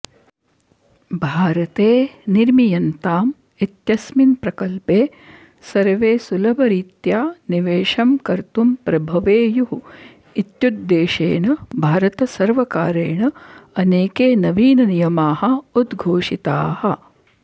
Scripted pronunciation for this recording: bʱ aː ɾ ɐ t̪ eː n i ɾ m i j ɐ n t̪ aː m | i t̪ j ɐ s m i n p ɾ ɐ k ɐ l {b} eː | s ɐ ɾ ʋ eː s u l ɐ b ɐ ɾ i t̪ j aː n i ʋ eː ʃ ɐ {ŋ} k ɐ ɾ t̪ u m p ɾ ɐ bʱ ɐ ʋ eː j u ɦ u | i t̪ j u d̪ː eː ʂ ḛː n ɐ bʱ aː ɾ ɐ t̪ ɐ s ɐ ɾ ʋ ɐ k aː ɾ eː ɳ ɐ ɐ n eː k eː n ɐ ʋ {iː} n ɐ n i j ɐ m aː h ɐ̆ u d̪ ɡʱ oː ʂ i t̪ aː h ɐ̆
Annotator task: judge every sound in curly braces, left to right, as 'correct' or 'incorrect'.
incorrect: p, incorrect: m, correct

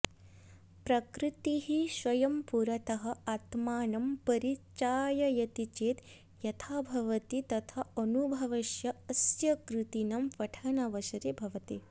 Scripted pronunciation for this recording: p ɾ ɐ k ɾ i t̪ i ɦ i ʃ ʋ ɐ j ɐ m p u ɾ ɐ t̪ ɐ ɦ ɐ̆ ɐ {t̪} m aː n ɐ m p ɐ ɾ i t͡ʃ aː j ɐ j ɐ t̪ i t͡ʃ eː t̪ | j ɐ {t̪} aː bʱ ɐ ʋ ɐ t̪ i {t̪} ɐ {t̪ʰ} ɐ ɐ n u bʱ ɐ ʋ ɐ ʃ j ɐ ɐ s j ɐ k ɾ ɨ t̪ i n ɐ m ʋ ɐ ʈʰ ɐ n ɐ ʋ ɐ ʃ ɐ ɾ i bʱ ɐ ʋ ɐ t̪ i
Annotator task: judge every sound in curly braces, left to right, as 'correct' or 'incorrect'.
correct, incorrect: t̪ʰ, correct, correct

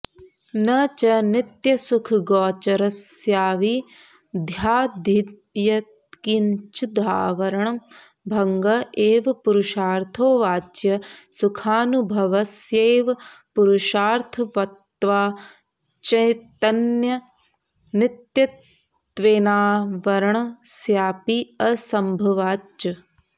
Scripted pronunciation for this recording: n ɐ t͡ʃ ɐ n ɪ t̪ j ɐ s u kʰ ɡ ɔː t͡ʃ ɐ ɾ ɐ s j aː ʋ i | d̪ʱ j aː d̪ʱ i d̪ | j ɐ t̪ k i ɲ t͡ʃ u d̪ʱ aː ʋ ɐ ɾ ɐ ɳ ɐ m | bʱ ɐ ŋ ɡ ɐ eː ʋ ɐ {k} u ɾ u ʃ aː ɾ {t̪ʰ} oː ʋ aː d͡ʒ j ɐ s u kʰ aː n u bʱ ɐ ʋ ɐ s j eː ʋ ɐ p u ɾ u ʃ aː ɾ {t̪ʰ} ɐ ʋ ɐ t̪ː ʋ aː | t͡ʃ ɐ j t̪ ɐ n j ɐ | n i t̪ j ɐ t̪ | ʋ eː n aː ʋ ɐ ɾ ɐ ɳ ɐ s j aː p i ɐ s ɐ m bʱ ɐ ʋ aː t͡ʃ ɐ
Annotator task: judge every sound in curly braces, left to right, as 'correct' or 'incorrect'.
incorrect: p, correct, correct

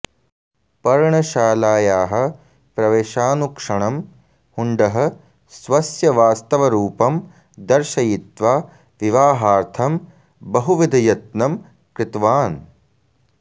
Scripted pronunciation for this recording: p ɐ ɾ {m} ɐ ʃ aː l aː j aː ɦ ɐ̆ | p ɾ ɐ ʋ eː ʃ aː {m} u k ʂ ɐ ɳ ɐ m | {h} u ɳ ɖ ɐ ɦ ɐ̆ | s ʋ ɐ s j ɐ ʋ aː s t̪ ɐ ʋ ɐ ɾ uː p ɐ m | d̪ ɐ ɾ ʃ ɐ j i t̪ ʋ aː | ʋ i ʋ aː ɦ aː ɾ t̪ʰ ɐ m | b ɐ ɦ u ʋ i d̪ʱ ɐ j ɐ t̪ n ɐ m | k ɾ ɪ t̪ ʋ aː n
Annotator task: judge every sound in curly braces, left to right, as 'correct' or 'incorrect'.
incorrect: ɳ, incorrect: n, correct

